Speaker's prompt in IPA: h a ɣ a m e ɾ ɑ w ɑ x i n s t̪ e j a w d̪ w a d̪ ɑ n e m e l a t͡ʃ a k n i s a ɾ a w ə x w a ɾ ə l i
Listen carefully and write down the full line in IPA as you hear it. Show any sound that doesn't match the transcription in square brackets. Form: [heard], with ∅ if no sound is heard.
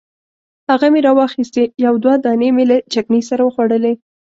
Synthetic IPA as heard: h a ɣ a m e ɾ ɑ w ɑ x i [∅] s t̪ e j a w d̪ w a d̪ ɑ n e m e l a t͡ʃ a k n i s a ɾ a w ə x w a [ɽ] ə l [e]